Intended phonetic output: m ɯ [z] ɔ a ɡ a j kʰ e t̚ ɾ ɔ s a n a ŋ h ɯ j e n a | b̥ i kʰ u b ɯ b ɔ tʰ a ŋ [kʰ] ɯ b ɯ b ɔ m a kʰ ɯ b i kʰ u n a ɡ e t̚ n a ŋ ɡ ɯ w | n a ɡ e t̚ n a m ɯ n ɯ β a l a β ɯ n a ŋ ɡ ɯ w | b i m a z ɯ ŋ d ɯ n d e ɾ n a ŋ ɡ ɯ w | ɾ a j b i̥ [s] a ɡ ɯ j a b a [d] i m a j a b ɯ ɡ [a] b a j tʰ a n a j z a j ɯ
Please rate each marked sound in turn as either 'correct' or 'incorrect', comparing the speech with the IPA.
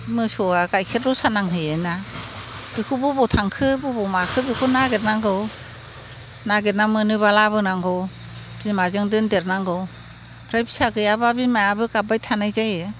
incorrect, correct, correct, incorrect, correct

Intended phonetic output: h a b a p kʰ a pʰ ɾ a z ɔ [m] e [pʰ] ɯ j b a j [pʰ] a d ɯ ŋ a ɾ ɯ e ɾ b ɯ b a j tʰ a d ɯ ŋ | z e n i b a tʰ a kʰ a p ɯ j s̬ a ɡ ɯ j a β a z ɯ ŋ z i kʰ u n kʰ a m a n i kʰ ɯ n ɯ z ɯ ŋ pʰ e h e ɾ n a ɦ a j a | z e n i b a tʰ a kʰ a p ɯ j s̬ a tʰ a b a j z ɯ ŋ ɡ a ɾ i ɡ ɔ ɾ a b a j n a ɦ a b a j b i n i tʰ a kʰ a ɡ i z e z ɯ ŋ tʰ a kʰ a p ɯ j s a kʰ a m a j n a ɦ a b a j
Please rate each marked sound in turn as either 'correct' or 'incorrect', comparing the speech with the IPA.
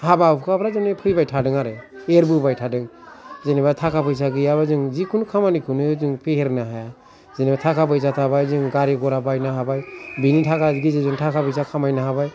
incorrect, correct, incorrect

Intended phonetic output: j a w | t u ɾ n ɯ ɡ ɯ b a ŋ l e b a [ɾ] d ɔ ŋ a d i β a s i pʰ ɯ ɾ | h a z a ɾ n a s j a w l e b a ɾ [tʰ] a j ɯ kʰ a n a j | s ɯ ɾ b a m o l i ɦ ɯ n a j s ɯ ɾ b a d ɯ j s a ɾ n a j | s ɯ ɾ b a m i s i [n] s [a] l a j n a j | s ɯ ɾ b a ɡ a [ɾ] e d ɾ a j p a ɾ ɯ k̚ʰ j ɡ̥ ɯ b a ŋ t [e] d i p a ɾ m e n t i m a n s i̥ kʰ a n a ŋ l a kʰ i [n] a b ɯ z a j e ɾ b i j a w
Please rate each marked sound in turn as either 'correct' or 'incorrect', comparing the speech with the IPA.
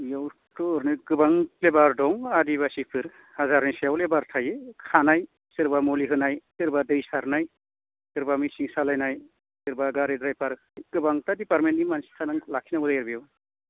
correct, correct, incorrect, correct, correct, incorrect, correct

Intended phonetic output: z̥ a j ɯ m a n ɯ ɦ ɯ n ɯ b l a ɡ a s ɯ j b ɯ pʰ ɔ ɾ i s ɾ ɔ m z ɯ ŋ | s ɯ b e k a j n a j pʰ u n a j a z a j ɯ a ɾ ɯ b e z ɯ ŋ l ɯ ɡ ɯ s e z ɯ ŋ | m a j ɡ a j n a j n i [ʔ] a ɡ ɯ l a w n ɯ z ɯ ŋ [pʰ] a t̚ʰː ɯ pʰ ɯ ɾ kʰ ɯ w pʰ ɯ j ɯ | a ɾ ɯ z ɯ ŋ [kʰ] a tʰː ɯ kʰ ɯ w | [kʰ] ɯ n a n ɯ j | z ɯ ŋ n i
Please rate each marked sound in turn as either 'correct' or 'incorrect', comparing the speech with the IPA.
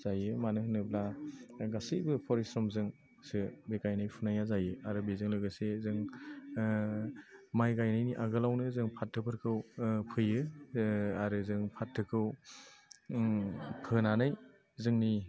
correct, correct, incorrect, incorrect

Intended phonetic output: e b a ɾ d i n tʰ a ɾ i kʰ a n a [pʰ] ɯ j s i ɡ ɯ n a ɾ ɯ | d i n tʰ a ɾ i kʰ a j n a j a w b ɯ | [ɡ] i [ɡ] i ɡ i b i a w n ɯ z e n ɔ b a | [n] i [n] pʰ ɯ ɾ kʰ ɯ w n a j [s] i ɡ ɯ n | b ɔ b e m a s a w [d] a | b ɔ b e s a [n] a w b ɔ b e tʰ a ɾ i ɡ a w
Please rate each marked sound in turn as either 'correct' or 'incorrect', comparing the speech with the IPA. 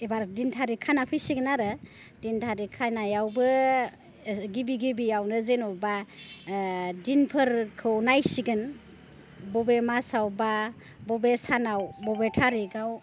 correct, correct, incorrect, incorrect, correct, correct, incorrect, correct

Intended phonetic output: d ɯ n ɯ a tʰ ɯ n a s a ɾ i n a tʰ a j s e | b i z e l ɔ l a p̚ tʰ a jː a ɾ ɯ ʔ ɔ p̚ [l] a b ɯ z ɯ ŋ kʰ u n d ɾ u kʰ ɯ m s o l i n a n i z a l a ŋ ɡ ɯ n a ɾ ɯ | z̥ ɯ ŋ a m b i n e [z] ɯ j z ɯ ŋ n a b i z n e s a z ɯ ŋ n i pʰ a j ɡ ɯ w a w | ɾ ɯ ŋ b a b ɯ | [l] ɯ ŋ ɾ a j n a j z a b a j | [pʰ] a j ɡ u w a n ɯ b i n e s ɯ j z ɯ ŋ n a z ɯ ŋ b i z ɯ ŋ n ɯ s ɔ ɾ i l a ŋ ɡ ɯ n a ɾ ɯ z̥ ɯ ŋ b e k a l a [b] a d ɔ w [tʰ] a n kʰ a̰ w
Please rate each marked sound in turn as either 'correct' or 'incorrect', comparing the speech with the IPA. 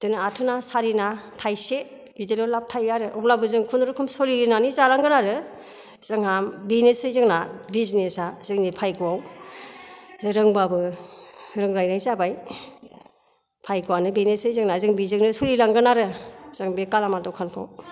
correct, incorrect, incorrect, correct, incorrect, incorrect

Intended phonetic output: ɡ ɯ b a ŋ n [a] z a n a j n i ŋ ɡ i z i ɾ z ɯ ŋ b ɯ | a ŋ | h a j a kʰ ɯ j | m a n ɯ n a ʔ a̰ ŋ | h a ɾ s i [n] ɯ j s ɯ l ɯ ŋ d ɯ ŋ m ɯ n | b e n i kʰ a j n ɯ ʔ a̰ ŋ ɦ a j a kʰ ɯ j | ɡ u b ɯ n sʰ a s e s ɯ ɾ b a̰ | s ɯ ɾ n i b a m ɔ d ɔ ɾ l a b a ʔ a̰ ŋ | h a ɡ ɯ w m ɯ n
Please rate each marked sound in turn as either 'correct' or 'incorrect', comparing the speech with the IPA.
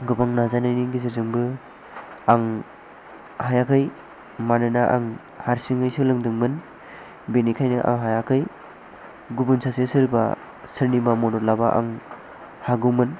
correct, incorrect

